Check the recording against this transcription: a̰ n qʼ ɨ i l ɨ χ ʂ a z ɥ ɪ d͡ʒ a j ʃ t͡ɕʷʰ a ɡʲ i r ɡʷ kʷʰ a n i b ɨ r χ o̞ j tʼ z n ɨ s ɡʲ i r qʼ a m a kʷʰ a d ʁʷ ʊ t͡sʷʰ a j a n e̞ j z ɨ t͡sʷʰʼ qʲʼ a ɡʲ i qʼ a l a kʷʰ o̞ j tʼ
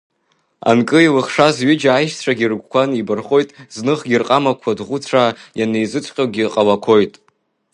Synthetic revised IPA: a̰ n kʼ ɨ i l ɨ χ ʂ a z ɥ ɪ d͡ʒ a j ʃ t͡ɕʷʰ a ɡʲ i r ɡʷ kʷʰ a n i b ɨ r χ o̞ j tʼ z n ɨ χ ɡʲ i r qʼ a m a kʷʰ a d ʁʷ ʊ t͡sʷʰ a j a n e̞ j z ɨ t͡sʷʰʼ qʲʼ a ɡʲ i qʼ a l a kʷʰ o̞ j tʼ

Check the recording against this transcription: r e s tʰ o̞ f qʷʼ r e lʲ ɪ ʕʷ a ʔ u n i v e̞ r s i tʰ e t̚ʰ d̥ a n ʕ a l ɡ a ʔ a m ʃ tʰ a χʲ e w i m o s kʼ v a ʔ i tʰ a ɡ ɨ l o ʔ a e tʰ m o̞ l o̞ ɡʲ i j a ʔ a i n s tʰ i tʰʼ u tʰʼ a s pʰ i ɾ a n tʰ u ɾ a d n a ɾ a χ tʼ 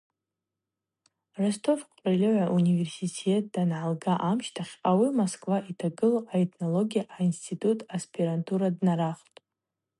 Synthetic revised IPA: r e s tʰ o̞ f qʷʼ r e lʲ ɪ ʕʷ a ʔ u n i v e̞ r s i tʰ e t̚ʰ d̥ a n ʕ a l ɡ a ʔ a m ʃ tʰ a χʲ a w i m o s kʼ v a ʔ i tʰ a ɡ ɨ l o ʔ a e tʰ n o̞ l o̞ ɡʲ i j a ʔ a i n s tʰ i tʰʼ u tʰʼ a s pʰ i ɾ a n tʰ u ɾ a d n a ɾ a χ tʼ

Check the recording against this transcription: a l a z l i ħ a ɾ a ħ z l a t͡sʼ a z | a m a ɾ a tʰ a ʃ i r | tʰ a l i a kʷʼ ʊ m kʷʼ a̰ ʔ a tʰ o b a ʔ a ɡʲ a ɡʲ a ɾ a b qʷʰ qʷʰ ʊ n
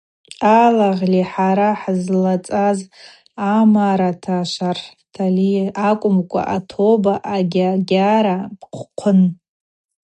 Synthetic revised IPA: a l a ʁ l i ħ a ɾ a ħ z l a t͡sʼ a z | a m a ɾ a tʰ a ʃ a r | tʰ a l i a kʷʼ ʊ m kʷʼ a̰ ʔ a tʰ o b a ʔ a ɡʲ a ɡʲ a ɾ a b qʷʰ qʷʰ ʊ n

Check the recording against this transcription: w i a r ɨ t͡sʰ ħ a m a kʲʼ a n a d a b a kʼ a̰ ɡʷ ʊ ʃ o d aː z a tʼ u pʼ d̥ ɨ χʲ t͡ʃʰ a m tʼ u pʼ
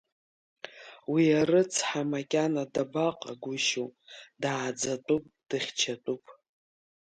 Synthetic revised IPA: w i a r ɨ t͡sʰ ħ a m a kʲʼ a n a d a b a qʼ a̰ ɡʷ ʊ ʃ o d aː d͡z a tʼ u pʼ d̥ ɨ χʲ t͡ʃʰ a tʼ u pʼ

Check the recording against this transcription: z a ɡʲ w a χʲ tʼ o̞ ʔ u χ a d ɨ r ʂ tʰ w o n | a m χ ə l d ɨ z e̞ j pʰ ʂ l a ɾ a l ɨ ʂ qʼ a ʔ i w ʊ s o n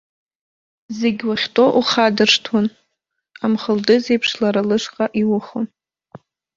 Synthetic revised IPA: z e ɡʲ w a χʲ tʼ o̞ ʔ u χ a d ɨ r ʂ tʰ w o n | a m χ ə l d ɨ z e̞ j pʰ ʂ l a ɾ a l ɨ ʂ qʼ a ʔ i w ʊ χ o n

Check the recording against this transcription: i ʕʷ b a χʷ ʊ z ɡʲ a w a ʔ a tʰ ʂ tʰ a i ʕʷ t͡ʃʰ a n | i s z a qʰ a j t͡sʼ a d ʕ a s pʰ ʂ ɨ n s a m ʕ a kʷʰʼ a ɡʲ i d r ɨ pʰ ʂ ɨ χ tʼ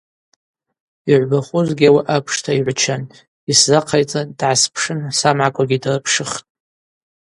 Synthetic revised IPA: i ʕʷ b a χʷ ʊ z ɡʲ a w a ʔ a pʰ ʂ tʰ a i ʕʷ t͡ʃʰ a n | i s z a qʰ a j t͡sʼ a d ʕ a s pʰ ʂ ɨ n s a m ʕ a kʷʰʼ a ɡʲ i d r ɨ pʰ ʂ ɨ χ tʼ

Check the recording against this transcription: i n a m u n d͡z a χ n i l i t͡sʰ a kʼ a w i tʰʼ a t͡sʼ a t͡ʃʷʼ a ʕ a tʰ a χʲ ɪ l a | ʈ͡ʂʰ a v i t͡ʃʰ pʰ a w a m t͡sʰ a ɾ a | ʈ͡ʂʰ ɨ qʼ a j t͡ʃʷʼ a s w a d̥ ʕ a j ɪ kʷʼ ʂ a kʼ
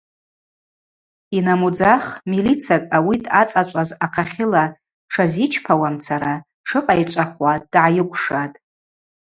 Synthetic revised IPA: i n a m u d͡z a χ m i l i t͡sʰ a kʼ a w i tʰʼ a t͡sʼ a t͡ʃʷʼ a z a qʰ a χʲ ɪ l a | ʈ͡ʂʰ a z i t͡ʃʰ pʰ a w a m t͡sʰ a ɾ a | ʈ͡ʂʰ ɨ qʼ a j t͡ʃʷʼ a χ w a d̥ ʕ a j ɪ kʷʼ ʂ a tʼ

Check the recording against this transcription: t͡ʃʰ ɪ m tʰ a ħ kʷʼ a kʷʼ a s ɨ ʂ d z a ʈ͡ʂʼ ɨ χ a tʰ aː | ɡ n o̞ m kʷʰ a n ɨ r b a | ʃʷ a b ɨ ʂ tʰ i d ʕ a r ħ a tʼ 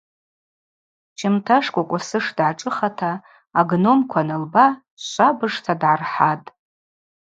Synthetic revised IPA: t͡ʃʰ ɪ m tʰ a ʂ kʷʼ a kʷʼ a s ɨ ʂ d ʕ a ʈ͡ʂʼ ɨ χ a tʰ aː | ɡ n o̞ m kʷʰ a n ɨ l b a | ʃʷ a b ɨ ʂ tʰ a d ʕ a r ħ a tʼ

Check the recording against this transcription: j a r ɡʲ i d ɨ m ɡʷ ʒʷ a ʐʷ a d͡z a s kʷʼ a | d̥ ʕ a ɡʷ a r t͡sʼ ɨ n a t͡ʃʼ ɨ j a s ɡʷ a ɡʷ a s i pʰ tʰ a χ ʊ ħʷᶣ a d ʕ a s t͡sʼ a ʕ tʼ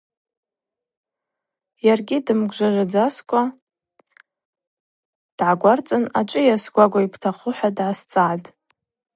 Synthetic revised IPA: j a r ɡʲ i d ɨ m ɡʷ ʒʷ a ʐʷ a d͡z a s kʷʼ a | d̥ ʕ a ɡʷ a r t͡sʼ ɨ n a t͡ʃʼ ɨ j a s ɡʷ a ɡʷ a i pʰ tʰ a χ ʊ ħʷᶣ a d ʕ a s t͡sʼ a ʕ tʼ

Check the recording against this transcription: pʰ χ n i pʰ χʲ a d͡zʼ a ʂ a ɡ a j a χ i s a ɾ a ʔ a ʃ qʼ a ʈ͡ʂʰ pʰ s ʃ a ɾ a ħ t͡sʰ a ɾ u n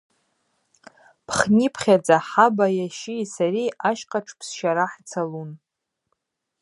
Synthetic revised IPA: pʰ χ n i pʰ χʲ a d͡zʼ a ħ a b a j a ʃ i s a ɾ i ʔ a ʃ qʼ a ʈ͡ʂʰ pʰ s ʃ a ɾ a ħ t͡sʰ a l u n

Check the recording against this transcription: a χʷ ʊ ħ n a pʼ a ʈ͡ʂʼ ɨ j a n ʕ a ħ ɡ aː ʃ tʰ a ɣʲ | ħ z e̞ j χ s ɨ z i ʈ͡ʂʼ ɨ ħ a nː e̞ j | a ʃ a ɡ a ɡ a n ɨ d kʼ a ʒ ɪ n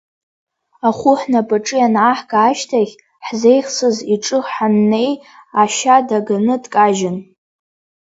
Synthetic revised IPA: a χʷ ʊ ħ n a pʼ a ʈ͡ʂʼ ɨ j a n ʕ a ħ ɡ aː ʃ tʰ a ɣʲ | ħ z e̞ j χ s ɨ z i ʈ͡ʂʼ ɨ ħ a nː e̞ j | a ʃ a d a ɡ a n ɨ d kʼ a ʒ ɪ n

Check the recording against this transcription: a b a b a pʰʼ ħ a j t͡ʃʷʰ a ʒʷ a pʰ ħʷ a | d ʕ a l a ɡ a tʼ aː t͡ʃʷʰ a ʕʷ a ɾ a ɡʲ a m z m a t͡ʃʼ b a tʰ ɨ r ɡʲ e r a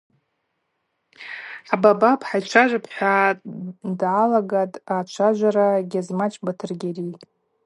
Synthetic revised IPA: a b a b a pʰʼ ħ a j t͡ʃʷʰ a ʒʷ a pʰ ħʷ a | d ʕ a l a ɡ a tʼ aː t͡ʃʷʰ a ʒʷ a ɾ a ɡʲ a z m a t͡ʃʼ b a tʰ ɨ r ɡʲ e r i

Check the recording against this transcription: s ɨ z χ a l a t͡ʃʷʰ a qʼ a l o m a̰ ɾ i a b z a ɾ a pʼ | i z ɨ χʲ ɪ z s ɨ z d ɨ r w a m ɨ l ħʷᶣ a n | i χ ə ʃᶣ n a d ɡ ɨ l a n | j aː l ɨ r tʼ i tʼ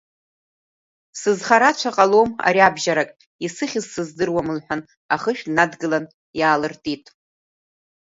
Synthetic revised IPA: s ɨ z χ a ɾ a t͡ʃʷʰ a qʼ a l o m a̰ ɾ i a b ʒ a ɾ a kʼ | i s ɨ χʲ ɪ z s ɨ z d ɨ r w a m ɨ l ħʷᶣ a n | a χ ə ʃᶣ n a d ɡ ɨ l a n | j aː l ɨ r tʼ i tʼ

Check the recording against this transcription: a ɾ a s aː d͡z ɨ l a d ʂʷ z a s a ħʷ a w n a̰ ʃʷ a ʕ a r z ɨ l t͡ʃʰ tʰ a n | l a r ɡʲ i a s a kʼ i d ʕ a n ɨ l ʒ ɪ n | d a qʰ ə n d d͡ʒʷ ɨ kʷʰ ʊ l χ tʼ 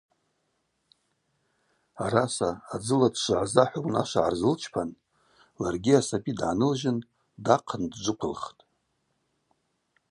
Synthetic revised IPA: a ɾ a s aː d͡z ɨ l a d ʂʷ ʕ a z a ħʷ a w n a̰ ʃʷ a ʕ a r z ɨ l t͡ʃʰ pʰ a n | l a r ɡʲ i a s a pʼ i d ʕ a n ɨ l ʒ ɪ n | d a qʰ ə n d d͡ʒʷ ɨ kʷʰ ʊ l χ tʼ

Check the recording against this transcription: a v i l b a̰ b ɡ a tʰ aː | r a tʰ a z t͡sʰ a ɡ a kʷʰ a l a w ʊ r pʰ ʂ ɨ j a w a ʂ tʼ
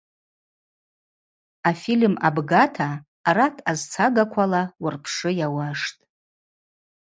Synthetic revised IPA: a f i l m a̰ b ɡ a tʰ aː | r a tʰ a z t͡sʰ a ɡ a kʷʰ a l a w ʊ r pʰ ʂ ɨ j a w a ʂ tʼ

